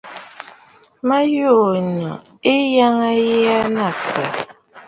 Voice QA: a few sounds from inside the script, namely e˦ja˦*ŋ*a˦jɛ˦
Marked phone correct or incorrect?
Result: correct